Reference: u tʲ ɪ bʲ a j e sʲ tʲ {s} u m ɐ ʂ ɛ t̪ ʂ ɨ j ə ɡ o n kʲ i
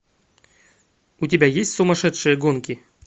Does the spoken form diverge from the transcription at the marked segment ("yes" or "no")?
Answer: no